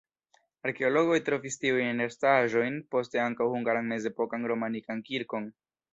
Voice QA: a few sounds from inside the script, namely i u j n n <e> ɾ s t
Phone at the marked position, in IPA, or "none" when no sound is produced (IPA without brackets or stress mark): e